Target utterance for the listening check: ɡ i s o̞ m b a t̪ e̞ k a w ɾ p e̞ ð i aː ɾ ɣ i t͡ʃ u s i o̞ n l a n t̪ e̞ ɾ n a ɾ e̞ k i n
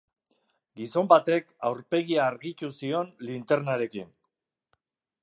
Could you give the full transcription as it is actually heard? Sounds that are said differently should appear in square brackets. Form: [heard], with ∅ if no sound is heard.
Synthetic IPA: ɡ i s o̞ m b a t̪ e̞ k a w ɾ p e̞ [ɣ] i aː ɾ ɣ i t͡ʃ u s i o̞ n l [i] n t̪ e̞ ɾ n a ɾ e̞ k i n